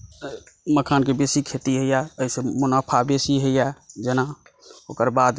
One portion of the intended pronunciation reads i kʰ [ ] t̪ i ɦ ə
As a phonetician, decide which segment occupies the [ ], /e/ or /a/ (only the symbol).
e